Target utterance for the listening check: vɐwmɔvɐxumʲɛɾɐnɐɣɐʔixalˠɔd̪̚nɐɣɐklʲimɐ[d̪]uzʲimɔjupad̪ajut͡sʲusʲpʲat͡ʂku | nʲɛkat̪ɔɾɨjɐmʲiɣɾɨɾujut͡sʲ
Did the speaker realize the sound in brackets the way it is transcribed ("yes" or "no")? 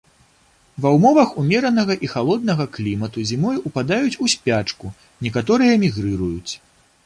no